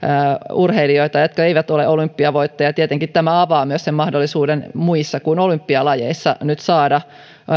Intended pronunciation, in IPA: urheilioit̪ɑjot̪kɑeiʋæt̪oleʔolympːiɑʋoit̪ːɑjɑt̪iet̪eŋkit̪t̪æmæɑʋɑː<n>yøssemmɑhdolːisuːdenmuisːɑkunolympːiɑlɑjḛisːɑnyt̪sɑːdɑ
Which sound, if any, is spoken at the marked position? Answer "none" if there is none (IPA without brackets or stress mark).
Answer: m